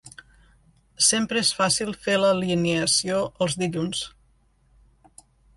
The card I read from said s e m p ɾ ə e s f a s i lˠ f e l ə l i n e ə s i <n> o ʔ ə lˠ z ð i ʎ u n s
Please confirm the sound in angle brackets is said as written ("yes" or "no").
no